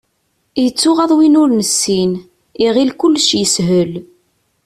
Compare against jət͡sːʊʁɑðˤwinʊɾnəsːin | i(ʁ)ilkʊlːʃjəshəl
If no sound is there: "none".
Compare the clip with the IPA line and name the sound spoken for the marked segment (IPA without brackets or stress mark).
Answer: ʁ